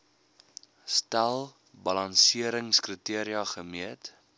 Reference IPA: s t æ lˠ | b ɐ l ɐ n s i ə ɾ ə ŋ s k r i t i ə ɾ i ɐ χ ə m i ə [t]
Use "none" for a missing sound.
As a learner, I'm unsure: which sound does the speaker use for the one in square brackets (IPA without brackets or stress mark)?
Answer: t